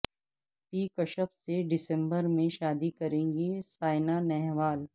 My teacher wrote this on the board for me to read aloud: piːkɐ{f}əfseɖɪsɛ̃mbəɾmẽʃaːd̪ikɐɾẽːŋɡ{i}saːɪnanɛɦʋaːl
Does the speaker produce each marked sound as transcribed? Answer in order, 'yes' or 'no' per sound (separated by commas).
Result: no, yes